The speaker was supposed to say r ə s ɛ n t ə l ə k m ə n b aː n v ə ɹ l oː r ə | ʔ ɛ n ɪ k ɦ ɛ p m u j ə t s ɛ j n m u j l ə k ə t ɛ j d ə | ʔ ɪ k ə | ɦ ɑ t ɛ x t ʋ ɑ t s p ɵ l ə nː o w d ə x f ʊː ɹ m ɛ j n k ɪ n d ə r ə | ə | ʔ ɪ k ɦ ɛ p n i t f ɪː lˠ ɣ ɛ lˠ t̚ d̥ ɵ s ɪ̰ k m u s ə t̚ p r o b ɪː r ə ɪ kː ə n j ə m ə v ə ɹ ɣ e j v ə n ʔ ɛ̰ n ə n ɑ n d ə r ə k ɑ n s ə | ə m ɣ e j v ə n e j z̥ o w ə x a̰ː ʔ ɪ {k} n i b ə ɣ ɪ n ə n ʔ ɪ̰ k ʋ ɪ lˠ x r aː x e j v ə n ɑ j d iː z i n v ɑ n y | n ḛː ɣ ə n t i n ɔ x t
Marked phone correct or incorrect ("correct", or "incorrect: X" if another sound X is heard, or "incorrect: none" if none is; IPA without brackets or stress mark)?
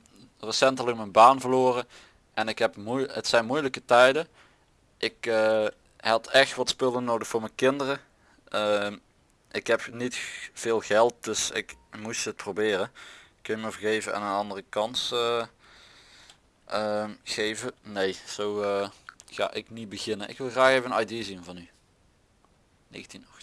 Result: correct